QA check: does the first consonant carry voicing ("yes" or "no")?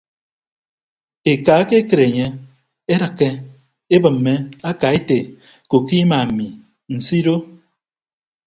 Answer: no